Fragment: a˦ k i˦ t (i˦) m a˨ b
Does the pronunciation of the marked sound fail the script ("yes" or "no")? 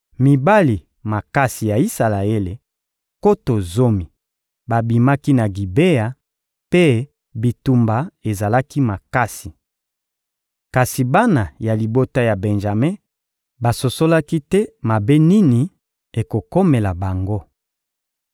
yes